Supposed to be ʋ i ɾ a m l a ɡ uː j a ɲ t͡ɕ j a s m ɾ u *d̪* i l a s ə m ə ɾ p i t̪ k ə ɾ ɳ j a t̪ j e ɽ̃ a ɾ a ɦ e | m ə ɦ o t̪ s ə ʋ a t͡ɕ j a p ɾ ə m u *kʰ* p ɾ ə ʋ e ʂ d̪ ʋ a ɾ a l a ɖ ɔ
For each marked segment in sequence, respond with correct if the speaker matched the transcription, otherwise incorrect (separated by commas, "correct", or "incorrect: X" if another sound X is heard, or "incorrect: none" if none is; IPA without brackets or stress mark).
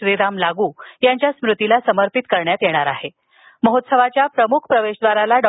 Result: incorrect: t̪, correct